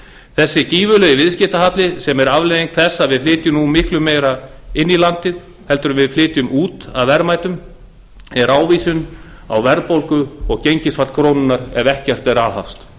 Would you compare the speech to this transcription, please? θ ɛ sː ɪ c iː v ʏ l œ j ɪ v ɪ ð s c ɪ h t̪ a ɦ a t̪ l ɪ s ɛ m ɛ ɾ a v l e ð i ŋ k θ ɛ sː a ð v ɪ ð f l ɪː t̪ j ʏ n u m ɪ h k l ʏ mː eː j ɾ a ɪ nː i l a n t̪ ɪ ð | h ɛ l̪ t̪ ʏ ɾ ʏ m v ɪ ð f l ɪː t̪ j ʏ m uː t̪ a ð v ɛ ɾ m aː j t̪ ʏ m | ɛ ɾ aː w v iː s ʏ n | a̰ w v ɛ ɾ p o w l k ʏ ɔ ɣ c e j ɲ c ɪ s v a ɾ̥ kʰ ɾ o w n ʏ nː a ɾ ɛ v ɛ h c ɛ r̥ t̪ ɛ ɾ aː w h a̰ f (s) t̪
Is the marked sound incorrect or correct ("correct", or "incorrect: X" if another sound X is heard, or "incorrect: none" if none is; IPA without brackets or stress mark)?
correct